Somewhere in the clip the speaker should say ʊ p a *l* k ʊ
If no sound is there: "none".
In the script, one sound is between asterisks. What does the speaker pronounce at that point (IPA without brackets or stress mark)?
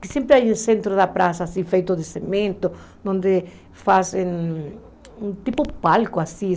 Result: l